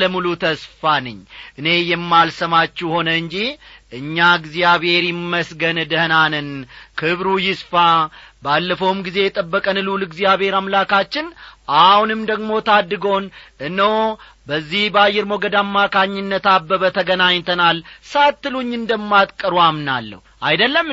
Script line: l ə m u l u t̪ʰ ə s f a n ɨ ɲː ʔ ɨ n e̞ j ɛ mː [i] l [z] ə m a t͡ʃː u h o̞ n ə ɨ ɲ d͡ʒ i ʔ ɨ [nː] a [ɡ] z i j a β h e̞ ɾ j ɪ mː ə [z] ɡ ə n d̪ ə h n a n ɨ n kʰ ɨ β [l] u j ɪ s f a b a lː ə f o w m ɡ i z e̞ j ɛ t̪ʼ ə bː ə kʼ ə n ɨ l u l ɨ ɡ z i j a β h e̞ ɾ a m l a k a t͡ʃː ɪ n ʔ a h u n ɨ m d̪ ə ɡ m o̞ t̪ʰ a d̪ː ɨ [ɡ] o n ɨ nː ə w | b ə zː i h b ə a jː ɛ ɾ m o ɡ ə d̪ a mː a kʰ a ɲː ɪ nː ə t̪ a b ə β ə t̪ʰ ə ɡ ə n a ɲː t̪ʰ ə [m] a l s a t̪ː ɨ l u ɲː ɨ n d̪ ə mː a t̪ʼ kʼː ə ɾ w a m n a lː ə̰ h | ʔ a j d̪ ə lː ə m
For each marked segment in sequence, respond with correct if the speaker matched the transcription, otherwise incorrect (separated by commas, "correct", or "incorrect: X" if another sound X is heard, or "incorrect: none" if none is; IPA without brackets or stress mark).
incorrect: a, incorrect: s, incorrect: ɲː, correct, incorrect: s, incorrect: ɾ, correct, incorrect: n